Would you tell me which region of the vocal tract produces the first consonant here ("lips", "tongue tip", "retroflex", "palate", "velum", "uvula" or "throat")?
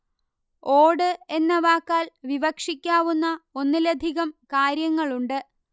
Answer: retroflex